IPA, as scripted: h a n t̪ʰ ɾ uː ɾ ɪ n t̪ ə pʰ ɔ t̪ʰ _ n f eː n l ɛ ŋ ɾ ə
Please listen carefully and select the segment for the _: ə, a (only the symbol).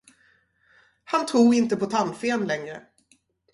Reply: a